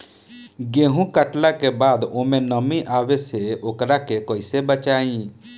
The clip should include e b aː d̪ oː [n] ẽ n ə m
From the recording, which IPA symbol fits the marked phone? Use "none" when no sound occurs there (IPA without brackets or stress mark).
m